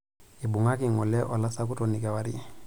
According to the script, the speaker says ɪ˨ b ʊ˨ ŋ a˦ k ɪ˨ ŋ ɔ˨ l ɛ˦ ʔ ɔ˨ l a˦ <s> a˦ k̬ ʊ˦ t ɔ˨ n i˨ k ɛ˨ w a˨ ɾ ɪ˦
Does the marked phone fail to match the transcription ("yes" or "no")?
no